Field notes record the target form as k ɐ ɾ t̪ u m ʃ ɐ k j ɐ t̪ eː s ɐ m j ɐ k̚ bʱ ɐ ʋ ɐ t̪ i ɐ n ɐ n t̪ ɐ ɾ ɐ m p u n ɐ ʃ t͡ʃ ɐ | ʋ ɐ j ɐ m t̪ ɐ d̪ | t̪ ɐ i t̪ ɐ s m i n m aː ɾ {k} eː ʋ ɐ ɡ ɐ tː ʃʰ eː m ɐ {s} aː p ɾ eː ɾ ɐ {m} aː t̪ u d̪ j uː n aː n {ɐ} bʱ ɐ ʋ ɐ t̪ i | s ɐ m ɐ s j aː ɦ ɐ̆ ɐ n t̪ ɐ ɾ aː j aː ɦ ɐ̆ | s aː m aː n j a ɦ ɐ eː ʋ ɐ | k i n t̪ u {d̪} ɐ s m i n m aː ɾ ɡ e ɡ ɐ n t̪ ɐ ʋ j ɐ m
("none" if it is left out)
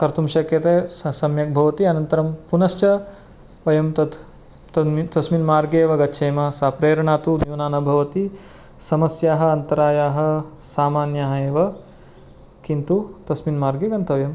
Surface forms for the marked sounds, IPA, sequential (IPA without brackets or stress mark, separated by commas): ɡ, s, ɳ, ɐ, t̪